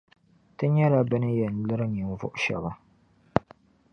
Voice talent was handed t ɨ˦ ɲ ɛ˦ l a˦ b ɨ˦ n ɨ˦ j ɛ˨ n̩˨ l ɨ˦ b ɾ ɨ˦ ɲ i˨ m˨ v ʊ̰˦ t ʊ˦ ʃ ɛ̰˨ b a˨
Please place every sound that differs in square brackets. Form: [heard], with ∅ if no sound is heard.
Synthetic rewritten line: t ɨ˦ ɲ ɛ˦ l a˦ b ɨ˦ n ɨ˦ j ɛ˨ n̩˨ l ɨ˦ [∅] ɾ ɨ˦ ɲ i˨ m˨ v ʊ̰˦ [ʔ] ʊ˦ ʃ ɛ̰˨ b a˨